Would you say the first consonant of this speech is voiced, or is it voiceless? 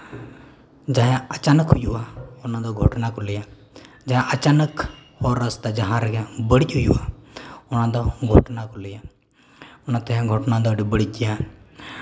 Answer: voiced